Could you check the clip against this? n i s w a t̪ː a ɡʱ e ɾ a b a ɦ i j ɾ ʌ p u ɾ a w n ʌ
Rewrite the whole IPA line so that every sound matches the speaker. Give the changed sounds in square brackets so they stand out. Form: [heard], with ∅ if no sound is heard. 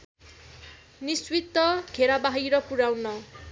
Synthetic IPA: n i s w [i] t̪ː [ʌ] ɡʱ e ɾ a b a ɦ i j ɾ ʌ p u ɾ a w n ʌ

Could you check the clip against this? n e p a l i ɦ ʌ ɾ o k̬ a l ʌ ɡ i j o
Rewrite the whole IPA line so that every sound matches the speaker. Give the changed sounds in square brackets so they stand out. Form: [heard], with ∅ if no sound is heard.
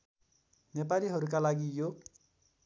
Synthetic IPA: n e p a l i ɦ ʌ ɾ [u] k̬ a l [a] ɡ i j o

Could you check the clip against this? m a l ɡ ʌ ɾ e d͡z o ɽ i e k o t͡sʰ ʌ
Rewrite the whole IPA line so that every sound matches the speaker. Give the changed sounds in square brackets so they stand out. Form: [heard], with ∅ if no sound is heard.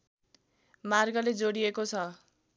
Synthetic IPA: m a [r] ɡ ʌ [l] e d͡z o ɽ i e k o t͡sʰ ʌ

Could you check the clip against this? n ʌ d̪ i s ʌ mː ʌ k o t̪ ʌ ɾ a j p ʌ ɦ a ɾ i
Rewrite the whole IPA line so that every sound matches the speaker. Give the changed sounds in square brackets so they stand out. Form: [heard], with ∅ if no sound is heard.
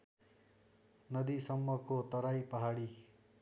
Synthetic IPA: n ʌ d̪ i s ʌ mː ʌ k o t̪ ʌ ɾ a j p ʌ ɦ a [ɽ] i

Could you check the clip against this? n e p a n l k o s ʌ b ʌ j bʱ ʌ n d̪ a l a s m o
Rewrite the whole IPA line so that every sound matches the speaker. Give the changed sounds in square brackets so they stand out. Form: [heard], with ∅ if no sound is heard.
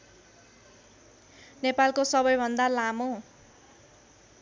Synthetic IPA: n e p a [∅] l k o s ʌ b ʌ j bʱ ʌ n d̪ a l a [∅] m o

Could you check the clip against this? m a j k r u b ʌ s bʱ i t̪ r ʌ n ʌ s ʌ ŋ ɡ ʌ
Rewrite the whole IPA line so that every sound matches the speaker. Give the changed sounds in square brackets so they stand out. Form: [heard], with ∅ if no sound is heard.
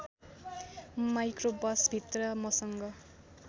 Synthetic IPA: m a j k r [o] b ʌ s bʱ i t̪ r ʌ [m] ʌ s ʌ ŋ ɡ ʌ

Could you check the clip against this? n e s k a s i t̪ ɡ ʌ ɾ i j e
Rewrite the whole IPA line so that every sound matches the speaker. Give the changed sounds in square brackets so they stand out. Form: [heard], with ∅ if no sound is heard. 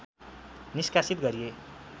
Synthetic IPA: n [i] s k a s i t̪ ɡ ʌ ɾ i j e

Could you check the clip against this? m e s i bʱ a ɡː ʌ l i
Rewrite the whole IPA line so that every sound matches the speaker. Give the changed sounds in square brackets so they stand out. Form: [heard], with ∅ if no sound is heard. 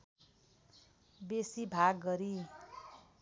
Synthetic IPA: [b] e s i bʱ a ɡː ʌ [ɾ] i

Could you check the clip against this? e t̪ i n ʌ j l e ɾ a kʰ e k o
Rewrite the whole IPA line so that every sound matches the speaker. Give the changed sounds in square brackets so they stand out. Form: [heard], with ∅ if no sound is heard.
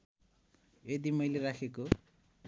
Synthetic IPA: e [d̪] i [m] ʌ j l e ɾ a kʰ e k o

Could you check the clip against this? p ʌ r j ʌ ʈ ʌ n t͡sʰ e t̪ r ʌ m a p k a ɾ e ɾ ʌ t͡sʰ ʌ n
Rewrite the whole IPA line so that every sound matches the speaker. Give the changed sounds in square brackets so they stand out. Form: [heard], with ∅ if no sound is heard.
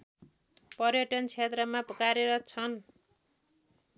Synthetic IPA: p ʌ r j ʌ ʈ ʌ n t͡sʰ e t̪ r ʌ m a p k a ɾ e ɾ ʌ t͡sʰ ʌ n

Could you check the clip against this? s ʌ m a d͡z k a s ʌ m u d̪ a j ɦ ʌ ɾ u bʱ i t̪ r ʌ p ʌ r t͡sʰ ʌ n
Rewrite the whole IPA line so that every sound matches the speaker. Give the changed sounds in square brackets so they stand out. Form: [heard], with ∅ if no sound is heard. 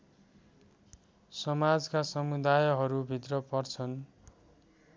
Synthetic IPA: s ʌ m a d͡z k a s ʌ m u d̪ a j ɦ ʌ ɾ u bʱ i t̪ r ʌ p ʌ r t͡sʰ ʌ n

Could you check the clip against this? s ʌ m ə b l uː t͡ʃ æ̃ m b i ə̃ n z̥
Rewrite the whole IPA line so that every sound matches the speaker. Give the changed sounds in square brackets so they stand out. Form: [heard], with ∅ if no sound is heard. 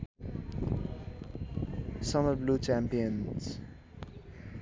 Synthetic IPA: s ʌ m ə b l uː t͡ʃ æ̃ m [p] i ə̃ n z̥

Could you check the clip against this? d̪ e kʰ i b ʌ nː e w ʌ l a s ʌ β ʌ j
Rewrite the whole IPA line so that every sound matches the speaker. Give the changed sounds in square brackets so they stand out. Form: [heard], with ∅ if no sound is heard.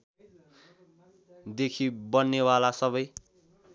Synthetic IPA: d̪ e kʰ i b ʌ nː e w [a] l a s ʌ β ʌ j

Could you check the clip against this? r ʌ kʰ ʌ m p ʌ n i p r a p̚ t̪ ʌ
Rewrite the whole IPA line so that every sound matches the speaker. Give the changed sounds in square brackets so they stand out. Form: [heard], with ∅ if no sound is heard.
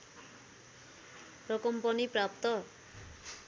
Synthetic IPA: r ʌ [k] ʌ m p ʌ n i p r a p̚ t̪ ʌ

